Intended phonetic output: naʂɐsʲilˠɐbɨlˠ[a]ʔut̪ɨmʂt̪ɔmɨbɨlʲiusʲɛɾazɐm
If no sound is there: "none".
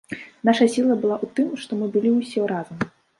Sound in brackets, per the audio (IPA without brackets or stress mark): a